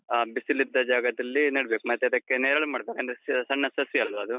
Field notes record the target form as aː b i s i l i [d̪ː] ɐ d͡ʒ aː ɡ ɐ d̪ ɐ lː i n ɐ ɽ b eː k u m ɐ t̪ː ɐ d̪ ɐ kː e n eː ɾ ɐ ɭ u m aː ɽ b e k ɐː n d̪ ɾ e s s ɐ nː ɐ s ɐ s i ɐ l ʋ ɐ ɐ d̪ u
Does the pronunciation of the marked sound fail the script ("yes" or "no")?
no